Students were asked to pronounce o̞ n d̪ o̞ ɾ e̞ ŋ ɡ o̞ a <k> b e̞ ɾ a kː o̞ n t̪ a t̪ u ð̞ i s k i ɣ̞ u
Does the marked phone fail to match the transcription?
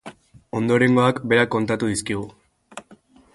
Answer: no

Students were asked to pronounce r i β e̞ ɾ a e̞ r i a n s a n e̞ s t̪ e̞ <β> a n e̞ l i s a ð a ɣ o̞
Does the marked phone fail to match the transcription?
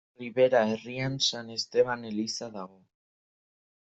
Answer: no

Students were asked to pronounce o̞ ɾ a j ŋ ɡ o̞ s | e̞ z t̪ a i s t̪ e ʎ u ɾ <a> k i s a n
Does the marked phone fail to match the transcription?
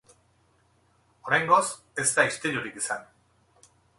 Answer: yes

